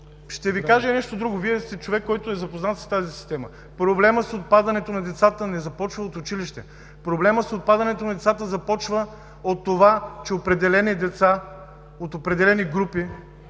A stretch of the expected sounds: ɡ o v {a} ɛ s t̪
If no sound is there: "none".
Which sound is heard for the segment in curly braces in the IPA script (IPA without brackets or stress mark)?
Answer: i